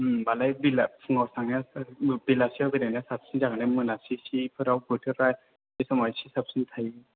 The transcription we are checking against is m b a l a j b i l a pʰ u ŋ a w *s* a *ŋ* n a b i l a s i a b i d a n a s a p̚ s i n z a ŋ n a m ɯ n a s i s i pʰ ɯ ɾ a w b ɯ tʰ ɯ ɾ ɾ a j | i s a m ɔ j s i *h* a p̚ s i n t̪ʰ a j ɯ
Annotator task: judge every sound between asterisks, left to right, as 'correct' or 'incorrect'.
correct, correct, incorrect: s

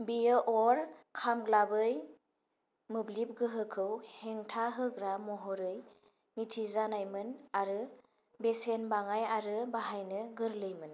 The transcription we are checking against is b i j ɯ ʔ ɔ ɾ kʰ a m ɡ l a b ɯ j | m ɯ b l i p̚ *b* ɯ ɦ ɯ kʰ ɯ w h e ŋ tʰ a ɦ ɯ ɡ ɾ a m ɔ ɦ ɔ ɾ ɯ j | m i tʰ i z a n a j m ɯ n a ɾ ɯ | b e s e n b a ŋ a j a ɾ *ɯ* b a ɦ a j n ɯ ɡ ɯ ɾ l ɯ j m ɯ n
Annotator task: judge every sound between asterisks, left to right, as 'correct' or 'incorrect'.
incorrect: ɡ, correct

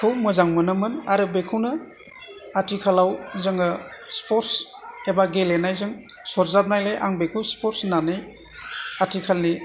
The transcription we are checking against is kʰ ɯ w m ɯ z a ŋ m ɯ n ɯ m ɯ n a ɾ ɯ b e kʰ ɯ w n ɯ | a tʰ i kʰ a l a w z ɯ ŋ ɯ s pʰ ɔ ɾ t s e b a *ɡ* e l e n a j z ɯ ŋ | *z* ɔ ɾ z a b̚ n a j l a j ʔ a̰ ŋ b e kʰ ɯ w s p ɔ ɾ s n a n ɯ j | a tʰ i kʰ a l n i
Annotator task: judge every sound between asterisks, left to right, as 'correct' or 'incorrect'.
correct, incorrect: s

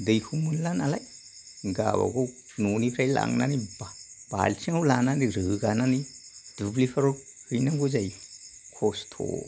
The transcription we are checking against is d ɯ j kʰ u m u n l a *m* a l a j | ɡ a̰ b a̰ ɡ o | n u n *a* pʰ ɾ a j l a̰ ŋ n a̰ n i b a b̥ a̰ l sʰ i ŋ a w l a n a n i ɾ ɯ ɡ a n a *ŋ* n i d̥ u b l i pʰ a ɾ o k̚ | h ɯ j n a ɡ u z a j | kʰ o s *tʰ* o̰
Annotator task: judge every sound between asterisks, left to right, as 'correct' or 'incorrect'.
incorrect: n, incorrect: i, incorrect: none, correct

